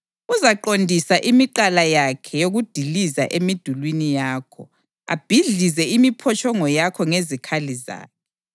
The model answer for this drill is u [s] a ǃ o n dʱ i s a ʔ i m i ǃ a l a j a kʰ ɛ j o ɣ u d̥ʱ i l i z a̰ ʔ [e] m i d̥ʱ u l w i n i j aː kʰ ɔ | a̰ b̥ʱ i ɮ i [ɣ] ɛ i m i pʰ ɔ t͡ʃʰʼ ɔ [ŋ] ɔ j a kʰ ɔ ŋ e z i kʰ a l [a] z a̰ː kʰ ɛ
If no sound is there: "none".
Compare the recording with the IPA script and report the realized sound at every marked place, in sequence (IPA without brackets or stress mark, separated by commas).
z, e, z, ŋ, i